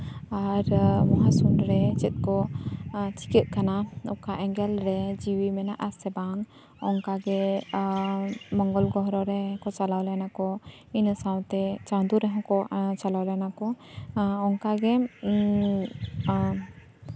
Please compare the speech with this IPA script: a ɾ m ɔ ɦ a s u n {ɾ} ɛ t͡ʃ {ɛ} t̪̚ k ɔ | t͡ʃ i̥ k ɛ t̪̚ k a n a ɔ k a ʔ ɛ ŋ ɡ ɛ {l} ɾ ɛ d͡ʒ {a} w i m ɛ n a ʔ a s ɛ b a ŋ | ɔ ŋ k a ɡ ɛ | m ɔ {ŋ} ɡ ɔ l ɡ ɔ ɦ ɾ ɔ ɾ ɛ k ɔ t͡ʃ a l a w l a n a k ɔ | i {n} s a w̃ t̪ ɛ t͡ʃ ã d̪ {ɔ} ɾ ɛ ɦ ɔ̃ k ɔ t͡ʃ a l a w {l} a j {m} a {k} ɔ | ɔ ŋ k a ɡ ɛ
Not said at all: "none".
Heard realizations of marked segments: ɾ, ɛ, l, i, ŋ, n, u, l, n, k

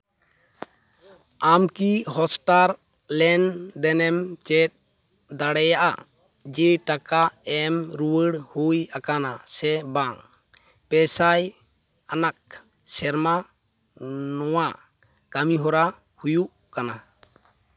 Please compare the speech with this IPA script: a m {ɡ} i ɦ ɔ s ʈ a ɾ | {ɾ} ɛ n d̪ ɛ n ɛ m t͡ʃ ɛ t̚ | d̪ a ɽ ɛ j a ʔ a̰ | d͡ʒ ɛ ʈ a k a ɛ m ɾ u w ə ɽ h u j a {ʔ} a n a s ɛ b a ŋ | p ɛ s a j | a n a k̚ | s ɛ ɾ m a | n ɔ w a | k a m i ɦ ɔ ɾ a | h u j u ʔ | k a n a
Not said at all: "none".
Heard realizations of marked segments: k, l, k

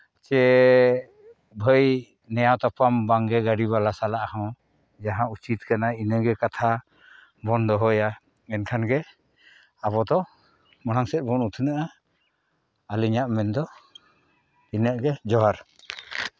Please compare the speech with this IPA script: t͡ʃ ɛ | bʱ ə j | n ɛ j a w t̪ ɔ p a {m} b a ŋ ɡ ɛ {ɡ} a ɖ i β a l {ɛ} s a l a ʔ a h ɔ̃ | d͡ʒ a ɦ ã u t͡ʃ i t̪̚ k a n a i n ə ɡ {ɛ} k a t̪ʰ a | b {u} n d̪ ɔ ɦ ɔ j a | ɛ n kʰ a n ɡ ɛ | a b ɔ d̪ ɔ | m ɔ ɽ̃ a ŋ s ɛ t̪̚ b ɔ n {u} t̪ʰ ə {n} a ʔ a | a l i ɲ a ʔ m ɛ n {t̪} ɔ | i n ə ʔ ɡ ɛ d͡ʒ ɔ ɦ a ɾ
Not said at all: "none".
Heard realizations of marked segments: m, ɡ, a, ɛ, ɔ, u, n, d̪

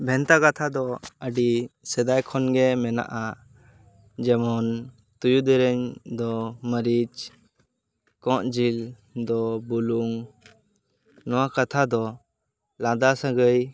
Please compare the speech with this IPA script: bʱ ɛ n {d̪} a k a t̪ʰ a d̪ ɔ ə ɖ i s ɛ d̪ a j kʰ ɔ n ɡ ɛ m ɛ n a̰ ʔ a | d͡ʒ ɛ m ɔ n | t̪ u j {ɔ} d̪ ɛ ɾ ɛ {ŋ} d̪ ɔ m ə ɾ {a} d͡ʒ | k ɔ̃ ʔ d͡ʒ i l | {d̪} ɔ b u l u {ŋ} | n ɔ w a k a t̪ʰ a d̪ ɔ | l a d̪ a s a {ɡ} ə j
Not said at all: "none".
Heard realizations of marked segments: t̪, u, ɲ, i, d̪, ŋ, ɡ

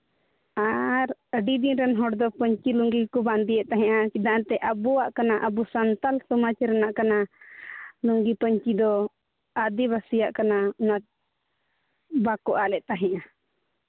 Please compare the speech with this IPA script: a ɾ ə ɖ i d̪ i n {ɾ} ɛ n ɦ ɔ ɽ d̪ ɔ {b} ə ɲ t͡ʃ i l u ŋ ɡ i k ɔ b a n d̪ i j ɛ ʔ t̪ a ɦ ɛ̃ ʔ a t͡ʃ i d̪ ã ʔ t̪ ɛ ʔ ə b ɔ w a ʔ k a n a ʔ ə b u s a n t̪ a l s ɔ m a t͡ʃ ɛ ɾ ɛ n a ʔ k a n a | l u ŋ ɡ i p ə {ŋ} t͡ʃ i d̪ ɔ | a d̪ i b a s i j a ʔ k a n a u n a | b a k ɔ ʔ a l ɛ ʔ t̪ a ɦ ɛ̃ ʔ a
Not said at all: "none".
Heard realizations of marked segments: ɾ, p, ɲ

